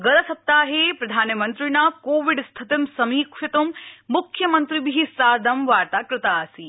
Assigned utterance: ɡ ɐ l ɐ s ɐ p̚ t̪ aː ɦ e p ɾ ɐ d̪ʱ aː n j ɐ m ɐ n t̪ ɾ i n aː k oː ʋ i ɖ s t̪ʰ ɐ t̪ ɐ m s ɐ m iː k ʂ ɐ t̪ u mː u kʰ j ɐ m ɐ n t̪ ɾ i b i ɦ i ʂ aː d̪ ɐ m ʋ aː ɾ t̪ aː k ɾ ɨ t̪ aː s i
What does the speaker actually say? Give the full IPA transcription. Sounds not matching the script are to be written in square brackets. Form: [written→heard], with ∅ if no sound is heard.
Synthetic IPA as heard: ɡ ɐ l ɐ s ɐ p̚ t̪ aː ɦ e p ɾ ɐ d̪ʱ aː n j ɐ m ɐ n t̪ ɾ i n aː k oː ʋ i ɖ s t̪ʰ ɐ t̪ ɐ m s ɐ m iː k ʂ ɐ t̪ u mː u kʰ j ɐ m ɐ n t̪ ɾ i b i ɦ i [ʂ→s] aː d̪ ɐ m ʋ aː ɾ t̪ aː k ɾ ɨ t̪ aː s i